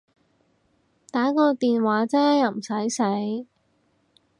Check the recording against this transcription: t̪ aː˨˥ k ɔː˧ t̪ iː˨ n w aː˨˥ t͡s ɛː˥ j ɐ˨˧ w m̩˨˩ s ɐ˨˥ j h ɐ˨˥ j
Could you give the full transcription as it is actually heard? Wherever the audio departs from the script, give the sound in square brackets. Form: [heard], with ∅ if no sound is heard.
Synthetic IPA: t̪ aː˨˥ k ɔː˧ t̪ iː˨ n w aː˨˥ t͡s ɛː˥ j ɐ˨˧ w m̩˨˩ s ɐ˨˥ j [s] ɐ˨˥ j